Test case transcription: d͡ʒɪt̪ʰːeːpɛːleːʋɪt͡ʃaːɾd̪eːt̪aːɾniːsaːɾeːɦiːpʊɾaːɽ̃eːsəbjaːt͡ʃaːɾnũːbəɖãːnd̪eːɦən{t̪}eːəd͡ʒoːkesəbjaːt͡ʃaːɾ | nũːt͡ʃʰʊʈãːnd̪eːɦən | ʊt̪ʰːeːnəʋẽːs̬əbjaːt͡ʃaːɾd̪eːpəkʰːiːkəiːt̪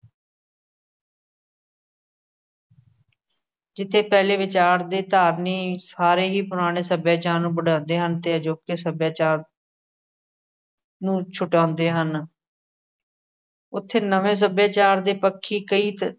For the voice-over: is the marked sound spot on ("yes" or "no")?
yes